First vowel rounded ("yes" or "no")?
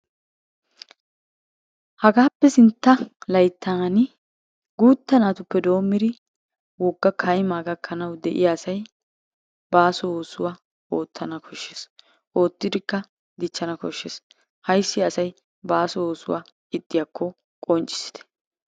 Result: no